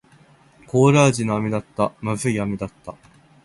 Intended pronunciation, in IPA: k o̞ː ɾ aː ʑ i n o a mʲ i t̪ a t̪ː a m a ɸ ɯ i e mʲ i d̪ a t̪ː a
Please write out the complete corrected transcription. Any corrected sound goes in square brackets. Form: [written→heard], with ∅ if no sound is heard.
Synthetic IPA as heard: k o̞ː ɾ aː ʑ i n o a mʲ i [t̪→d̪] a t̪ː a m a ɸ ɯ i [e→a] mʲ i d̪ a t̪ː a